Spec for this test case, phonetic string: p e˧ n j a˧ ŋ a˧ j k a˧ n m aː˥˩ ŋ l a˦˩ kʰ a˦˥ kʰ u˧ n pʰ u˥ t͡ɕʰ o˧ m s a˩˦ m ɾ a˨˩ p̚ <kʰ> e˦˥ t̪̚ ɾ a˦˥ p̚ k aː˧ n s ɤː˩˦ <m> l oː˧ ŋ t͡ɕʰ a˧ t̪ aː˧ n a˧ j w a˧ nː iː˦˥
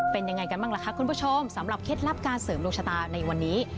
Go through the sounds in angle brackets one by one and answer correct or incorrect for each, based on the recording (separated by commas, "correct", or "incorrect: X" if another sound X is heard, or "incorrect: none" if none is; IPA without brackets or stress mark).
correct, correct